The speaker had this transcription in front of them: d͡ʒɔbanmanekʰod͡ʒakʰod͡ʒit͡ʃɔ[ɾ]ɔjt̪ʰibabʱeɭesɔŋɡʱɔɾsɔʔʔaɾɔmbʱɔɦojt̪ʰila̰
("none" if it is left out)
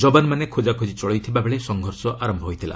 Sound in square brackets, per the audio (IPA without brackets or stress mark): ɭ